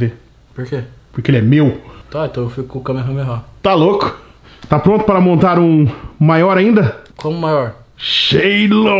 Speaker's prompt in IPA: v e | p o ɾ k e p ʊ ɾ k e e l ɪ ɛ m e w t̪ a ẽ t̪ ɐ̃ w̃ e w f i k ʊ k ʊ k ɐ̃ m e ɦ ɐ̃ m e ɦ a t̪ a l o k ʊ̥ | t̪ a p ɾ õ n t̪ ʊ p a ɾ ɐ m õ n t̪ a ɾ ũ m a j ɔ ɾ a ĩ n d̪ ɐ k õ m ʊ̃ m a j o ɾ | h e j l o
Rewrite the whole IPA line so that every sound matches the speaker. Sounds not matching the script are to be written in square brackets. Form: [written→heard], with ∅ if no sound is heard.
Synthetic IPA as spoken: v e | p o ɾ k e p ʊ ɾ k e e l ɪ ɛ m e w t̪ a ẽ t̪ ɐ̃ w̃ e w f i k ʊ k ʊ k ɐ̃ m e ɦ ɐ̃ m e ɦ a t̪ a l o k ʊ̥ | t̪ a p ɾ õ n t̪ ʊ p a ɾ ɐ m õ n t̪ a ɾ ũ m a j ɔ ɾ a ĩ n d̪ ɐ k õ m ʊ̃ m a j [o→ɔ] ɾ | [h→ʃ] e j l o

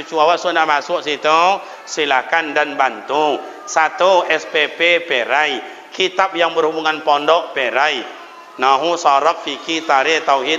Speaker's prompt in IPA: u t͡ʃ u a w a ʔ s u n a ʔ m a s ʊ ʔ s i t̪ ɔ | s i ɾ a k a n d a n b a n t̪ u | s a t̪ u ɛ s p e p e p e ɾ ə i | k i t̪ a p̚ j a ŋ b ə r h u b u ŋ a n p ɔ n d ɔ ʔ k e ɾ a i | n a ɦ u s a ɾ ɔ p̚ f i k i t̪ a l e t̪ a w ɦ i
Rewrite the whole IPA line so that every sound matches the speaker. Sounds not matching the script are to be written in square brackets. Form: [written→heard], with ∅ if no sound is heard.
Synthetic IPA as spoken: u t͡ʃ u a w a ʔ s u n a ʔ m a s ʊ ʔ s i t̪ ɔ | s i [ɾ→l] a k a n d a n b a n t̪ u | s a t̪ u ɛ s p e p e p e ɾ [ə→a] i | k i t̪ a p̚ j a ŋ b ə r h u b u ŋ a n p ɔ n d ɔ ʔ [k→p] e ɾ a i | n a ɦ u s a ɾ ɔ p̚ f i k i t̪ a [l→ɾ] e t̪ a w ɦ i

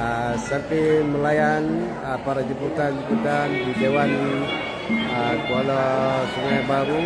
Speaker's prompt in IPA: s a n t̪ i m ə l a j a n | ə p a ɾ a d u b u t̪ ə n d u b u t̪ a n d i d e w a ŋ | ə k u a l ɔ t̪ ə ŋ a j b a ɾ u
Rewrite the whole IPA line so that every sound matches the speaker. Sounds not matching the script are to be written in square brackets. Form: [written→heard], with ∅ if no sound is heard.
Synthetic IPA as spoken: s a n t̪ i m ə l a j a n | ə p a ɾ a [d→d͡ʒ] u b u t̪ [ə→a] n [d→d͡ʒ] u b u t̪ a n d i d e w a [ŋ→n] | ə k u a l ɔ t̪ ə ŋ a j b a ɾ u

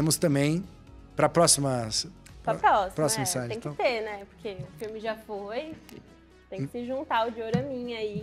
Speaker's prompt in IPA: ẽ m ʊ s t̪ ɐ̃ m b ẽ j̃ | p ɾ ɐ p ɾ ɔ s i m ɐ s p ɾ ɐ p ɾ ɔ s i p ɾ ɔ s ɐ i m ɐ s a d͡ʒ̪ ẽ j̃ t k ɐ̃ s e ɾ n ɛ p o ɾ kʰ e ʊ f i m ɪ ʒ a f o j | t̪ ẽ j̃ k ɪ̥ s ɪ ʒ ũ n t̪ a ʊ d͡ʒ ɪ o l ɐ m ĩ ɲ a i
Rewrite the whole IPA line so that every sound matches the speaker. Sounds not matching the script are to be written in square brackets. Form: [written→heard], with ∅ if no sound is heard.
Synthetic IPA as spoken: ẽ m ʊ s t̪ ɐ̃ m b ẽ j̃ | p ɾ ɐ p ɾ ɔ s i m ɐ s p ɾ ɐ p ɾ ɔ s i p ɾ ɔ s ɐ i m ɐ s a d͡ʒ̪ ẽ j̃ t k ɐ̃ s e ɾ n ɛ p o ɾ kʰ e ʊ f i m ɪ ʒ a f o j | t̪ ẽ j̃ k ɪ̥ s ɪ ʒ ũ n t̪ a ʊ d͡ʒ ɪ o [l→ɾ] ɐ m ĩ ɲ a i

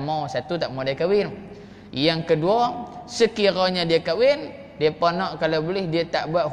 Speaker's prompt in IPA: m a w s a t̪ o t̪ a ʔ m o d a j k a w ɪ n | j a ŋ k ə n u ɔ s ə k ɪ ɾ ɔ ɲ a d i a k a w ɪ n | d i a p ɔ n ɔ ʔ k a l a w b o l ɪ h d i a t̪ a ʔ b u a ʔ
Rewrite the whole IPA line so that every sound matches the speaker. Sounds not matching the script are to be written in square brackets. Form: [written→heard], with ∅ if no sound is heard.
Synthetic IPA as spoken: m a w s a t̪ [o→u] t̪ a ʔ m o d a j k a w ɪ n | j a ŋ k ə [n→d] u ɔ s ə k [ɪ→i] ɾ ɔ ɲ a d i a k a w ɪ n | d i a p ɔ n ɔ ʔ k a l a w b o l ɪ h d i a t̪ a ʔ b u a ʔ

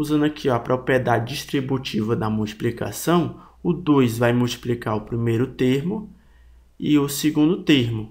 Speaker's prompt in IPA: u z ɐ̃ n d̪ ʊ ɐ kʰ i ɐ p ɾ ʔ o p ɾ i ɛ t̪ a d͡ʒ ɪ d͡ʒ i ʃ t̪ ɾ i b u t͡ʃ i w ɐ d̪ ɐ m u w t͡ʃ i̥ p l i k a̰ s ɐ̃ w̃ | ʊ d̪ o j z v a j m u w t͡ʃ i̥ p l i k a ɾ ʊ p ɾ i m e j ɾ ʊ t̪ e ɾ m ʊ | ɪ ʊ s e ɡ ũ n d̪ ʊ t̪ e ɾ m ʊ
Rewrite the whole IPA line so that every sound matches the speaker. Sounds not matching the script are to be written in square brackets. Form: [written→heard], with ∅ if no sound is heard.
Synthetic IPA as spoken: u z ɐ̃ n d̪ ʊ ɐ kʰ i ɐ p ɾ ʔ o p ɾ i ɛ [t̪→d̪] a d͡ʒ ɪ d͡ʒ i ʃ t̪ ɾ i b u t͡ʃ i [w→v] ɐ d̪ ɐ m u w t͡ʃ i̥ p l i k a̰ s ɐ̃ w̃ | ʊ d̪ o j z v a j m u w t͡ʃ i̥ p l i k a ɾ ʊ p ɾ i m e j ɾ ʊ t̪ e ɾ m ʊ | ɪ ʊ s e ɡ ũ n d̪ ʊ t̪ e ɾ m ʊ

